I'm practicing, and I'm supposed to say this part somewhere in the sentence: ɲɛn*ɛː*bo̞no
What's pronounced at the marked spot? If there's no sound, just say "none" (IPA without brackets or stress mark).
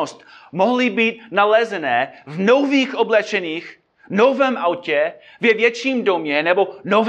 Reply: ɛ